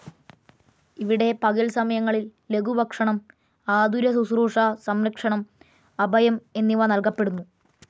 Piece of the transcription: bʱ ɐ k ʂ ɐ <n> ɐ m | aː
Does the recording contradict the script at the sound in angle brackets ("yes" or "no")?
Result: yes